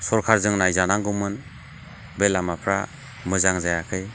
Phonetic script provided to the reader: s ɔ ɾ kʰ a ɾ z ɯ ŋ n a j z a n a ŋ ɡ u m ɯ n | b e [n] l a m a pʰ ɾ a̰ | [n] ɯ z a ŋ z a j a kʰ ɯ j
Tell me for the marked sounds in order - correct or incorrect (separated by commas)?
incorrect, incorrect